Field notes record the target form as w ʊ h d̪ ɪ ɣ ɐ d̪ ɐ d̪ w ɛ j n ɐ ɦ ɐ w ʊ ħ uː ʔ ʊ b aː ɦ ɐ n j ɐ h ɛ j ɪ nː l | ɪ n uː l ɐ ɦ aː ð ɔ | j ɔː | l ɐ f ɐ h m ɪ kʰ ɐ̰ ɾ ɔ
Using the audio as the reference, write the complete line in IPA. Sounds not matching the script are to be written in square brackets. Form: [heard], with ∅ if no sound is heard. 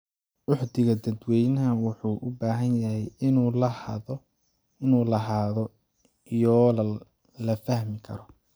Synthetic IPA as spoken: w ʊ [ħ] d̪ ɪ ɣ ɐ d̪ ɐ d̪ w ɛ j n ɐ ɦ ɐ w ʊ ħ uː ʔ ʊ b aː ɦ ɐ n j ɐ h ɛ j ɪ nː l | ɪ n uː l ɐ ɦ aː ð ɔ | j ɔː | l ɐ f ɐ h m ɪ kʰ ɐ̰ ɾ ɔ